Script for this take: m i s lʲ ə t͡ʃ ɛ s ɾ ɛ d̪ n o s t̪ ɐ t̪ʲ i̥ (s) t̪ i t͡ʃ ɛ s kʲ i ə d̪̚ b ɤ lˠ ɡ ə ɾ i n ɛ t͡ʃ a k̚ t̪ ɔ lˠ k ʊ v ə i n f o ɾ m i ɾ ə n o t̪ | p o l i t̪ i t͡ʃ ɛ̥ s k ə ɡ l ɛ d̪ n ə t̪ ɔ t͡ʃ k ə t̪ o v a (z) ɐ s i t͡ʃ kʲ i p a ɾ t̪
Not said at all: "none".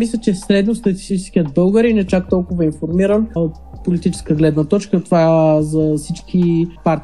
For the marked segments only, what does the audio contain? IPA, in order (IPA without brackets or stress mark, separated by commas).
s, z